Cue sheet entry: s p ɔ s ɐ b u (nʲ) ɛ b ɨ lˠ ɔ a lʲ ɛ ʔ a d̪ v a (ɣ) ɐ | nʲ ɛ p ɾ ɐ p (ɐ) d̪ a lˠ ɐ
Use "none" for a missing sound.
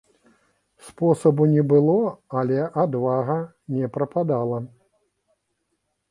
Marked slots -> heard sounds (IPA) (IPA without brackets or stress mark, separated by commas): nʲ, ɣ, a